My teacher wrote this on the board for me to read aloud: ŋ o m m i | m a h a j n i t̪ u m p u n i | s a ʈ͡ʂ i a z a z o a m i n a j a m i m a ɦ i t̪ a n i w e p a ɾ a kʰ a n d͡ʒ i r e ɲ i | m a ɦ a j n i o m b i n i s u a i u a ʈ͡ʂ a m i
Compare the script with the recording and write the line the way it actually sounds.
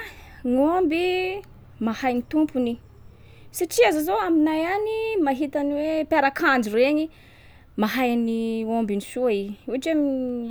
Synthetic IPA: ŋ o m b i | m a h a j n i t̪ u m p u n i | s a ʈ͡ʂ i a z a z o a m i n a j a n i m a ɦ i t̪ a n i w e p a ɾ a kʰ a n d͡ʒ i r e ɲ i | m a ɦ a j n i o m b i n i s u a i u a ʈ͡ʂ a m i